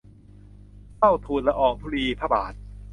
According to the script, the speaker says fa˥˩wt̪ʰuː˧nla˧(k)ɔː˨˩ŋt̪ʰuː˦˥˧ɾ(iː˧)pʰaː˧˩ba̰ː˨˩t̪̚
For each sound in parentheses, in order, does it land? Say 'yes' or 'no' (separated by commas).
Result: no, yes